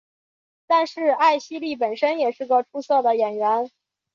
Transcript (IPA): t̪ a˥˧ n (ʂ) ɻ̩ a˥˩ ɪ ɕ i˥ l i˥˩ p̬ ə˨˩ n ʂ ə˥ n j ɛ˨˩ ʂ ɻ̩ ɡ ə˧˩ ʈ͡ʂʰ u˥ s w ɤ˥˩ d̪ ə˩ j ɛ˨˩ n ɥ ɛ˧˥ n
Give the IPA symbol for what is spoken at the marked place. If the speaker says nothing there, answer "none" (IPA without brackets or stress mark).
ʂ